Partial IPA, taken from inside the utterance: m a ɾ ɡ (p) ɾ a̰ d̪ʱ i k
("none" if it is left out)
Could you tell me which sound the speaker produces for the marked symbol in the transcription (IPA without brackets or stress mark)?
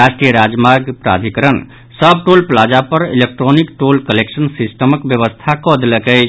p